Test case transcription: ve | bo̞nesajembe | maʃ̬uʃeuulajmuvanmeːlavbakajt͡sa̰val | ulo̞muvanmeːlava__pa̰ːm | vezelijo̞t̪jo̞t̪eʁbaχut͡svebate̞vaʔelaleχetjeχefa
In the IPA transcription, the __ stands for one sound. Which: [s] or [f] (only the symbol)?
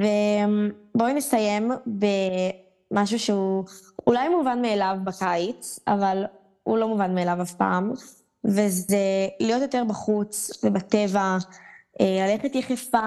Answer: f